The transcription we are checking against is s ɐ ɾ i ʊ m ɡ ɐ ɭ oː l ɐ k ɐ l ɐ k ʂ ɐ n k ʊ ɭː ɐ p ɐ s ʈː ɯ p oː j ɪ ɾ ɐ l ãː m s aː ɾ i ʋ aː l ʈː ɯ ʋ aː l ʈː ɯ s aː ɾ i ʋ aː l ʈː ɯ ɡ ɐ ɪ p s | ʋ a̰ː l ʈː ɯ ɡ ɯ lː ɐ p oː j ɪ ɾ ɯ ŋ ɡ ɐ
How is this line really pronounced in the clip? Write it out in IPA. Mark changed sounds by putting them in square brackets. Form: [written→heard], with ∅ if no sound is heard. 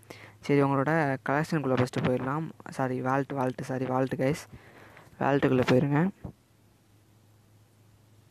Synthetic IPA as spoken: s ɐ ɾ i ʊ [m→ŋ] ɡ ɐ ɭ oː [l→ɽ] ɐ k ɐ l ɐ k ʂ ɐ n k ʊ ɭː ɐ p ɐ s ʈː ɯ p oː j ɪ ɾ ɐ l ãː m s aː ɾ i ʋ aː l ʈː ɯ ʋ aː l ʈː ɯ s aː ɾ i ʋ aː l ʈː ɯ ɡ ɐ ɪ [p→∅] s | ʋ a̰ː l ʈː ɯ [ɡ→k] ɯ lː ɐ p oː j ɪ ɾ ɯ ŋ ɡ ɐ